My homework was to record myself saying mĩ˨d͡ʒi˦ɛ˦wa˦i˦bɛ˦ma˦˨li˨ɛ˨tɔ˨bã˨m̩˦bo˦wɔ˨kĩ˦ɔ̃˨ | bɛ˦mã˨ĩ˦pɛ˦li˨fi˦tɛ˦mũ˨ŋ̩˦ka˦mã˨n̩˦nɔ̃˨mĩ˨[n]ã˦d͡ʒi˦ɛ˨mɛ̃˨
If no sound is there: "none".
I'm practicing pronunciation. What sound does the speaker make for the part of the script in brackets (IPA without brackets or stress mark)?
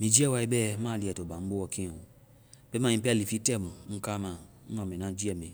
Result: n